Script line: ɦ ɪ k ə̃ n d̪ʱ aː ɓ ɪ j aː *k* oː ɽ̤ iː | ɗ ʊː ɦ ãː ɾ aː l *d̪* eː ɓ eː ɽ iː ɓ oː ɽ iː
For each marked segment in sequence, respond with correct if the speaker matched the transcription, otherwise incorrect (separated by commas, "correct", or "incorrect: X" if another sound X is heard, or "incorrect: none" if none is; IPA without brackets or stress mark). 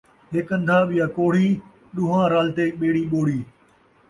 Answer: correct, incorrect: t̪